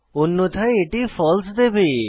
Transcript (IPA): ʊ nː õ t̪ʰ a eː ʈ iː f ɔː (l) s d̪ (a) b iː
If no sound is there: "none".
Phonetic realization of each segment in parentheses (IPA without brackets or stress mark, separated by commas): l, e